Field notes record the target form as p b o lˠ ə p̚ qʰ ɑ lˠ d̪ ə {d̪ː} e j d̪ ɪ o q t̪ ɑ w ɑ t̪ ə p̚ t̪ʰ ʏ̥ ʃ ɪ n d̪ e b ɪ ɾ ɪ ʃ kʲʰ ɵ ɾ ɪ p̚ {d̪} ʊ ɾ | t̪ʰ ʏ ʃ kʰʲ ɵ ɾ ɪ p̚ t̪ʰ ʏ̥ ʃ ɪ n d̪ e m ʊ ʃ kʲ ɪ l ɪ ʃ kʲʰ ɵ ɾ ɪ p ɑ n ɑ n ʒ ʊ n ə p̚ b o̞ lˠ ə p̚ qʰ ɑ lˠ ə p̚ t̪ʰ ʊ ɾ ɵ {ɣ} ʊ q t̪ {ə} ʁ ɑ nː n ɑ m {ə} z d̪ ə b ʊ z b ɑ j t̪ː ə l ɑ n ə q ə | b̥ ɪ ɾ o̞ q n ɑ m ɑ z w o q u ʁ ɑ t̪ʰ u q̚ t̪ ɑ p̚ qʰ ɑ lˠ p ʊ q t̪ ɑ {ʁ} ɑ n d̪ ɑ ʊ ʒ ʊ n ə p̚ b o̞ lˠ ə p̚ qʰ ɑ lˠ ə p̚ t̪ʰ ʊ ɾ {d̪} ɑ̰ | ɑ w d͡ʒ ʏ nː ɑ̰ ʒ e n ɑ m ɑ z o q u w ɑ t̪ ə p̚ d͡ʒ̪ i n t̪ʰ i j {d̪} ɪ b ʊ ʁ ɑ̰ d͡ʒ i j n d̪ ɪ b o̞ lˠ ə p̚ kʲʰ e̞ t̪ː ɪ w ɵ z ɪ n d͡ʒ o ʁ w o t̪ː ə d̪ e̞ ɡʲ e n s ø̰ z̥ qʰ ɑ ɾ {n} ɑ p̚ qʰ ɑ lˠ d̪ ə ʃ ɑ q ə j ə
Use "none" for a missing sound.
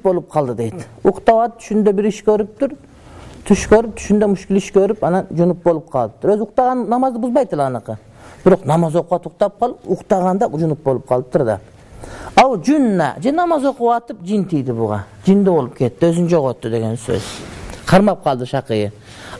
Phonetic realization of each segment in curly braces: d̪, t̪, z, ɑ, ɑ, ʁ, d̪, d̪, m

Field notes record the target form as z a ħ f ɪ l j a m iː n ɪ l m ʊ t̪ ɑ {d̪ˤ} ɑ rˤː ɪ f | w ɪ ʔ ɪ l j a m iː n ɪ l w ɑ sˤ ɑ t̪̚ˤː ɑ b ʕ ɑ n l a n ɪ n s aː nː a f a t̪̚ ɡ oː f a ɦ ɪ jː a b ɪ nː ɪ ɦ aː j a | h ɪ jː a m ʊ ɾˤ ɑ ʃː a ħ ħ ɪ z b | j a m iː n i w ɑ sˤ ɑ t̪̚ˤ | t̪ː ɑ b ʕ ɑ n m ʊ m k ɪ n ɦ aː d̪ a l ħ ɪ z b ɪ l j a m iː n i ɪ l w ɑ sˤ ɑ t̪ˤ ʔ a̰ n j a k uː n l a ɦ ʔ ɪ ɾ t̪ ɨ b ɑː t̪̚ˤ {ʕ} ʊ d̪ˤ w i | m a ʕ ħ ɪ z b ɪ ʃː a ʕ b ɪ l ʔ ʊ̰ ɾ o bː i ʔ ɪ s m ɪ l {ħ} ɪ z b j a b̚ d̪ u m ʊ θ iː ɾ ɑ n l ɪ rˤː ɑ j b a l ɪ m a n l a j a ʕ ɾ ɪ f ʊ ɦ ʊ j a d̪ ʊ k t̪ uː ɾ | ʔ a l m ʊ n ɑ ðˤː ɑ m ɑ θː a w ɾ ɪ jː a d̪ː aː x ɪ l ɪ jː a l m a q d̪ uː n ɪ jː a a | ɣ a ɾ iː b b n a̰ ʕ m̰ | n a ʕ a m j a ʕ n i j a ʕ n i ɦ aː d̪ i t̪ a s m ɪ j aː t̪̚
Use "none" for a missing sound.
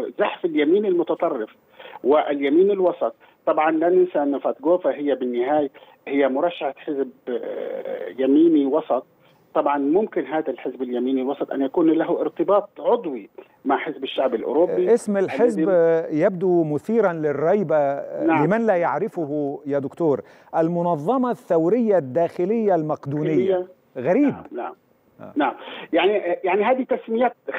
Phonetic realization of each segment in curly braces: t̪ˤ, ʕ, ħ

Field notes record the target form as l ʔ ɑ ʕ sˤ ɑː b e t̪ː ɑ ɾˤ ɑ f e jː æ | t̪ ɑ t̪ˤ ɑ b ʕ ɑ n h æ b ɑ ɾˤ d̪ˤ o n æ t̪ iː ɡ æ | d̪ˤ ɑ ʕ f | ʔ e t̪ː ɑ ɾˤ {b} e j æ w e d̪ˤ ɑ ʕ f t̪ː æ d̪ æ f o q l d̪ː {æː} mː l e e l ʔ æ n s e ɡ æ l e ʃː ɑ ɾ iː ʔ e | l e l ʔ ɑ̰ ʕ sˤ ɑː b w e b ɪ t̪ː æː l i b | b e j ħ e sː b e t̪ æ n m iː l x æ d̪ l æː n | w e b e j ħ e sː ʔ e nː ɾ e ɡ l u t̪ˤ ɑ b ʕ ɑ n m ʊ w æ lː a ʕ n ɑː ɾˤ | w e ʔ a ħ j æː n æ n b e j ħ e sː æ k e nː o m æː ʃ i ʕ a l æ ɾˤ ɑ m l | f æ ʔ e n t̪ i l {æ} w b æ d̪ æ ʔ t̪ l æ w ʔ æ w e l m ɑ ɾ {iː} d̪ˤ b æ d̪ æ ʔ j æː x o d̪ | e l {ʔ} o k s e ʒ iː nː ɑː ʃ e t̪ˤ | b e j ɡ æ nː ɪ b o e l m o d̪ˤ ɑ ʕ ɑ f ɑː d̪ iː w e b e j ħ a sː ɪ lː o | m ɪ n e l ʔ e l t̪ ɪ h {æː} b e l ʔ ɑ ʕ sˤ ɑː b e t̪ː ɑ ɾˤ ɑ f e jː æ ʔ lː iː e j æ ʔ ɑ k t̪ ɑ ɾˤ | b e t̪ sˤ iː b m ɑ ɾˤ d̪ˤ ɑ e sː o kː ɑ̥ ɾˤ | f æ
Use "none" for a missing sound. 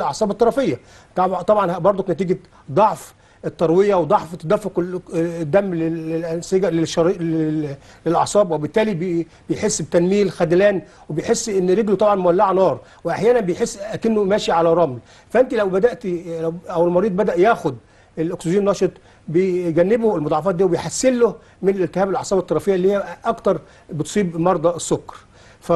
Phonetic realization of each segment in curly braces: w, æ, æ, iː, ʔ, æː

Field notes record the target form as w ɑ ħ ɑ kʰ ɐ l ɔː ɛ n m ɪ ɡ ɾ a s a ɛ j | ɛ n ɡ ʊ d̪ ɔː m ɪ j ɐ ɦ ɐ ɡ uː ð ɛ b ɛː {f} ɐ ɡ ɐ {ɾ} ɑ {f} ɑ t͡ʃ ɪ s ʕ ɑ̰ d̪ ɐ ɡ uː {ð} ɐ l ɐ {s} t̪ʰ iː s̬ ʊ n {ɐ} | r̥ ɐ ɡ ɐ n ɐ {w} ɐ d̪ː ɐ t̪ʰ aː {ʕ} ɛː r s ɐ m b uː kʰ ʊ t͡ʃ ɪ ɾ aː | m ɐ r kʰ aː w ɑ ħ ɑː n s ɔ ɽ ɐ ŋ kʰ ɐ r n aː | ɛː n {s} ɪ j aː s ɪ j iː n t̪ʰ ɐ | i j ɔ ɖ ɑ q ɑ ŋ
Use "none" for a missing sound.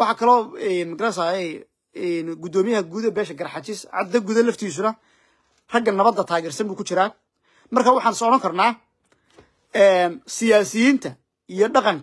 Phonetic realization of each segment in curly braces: ʃ, ɾ, ħ, ð, f, ɐ, β, ɣ, s

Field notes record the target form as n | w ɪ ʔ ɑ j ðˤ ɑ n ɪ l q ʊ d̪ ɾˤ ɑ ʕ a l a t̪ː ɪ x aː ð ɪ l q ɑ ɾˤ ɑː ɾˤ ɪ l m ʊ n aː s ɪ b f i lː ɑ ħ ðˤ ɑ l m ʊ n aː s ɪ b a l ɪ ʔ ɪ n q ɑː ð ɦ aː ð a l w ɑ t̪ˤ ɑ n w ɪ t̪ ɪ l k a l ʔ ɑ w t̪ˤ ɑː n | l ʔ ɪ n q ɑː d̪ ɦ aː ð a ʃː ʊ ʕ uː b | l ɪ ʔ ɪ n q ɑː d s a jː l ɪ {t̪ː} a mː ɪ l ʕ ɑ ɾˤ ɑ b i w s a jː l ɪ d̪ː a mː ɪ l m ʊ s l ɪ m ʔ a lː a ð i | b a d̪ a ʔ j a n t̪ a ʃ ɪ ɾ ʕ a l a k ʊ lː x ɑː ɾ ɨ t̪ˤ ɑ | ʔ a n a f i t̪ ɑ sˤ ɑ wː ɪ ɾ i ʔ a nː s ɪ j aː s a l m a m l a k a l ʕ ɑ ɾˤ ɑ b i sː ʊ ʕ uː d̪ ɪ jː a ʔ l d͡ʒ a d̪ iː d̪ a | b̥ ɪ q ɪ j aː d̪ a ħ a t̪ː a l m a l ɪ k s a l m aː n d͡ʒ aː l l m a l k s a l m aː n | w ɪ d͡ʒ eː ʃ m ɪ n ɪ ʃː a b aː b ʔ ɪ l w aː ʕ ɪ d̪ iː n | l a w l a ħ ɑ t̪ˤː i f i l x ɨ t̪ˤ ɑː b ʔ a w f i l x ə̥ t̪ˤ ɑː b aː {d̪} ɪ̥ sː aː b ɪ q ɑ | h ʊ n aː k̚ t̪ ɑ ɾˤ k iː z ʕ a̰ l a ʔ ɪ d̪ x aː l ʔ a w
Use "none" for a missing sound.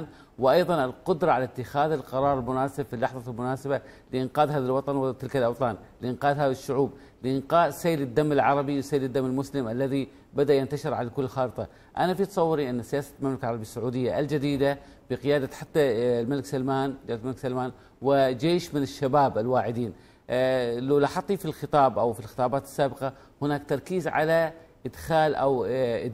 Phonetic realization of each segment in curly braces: d̪ː, t̪

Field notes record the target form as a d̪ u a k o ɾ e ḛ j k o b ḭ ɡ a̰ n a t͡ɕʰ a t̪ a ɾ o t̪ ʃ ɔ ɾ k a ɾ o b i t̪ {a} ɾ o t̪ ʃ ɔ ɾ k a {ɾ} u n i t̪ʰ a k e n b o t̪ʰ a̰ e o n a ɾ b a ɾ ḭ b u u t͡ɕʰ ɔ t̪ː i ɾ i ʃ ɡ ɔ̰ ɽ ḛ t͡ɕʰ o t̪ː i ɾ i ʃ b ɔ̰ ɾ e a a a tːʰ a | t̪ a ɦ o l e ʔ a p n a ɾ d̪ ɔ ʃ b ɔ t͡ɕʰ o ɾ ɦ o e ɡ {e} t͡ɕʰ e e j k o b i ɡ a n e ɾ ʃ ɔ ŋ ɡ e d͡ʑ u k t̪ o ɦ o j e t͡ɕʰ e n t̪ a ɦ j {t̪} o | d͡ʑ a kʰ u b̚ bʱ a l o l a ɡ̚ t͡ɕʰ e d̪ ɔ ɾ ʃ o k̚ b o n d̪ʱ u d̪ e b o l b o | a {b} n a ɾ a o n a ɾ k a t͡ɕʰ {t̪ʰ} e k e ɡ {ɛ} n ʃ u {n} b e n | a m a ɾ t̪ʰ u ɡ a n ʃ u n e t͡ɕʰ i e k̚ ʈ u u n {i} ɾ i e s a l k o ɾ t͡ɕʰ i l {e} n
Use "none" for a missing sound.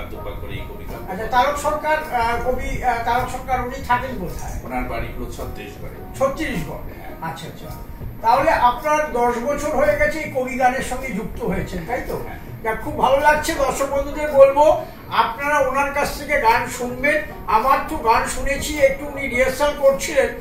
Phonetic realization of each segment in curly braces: a, ɾ, ɛ, t̪, p, t̪ʰ, a, n, i, e

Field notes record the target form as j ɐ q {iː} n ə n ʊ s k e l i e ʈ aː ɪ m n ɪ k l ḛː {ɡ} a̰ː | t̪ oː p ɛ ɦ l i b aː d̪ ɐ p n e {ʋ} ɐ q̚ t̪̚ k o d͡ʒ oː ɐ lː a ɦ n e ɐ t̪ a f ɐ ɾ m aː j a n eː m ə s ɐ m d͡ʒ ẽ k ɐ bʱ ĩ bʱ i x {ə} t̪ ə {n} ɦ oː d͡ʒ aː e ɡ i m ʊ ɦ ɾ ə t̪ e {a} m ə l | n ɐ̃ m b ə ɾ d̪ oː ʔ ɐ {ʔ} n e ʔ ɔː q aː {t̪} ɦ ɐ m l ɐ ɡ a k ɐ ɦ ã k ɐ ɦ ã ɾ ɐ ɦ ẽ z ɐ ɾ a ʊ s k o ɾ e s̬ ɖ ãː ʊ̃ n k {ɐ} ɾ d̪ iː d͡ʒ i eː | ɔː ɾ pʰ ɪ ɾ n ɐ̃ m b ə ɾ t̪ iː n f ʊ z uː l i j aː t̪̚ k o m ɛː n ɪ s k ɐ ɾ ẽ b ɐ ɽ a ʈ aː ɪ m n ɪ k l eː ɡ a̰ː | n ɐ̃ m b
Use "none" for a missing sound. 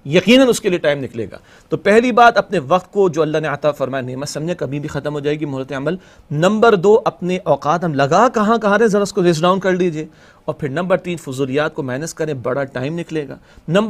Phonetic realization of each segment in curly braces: iː, ɡ, ʋ, ɐ, m, ɐ, p, t̪, ɐ

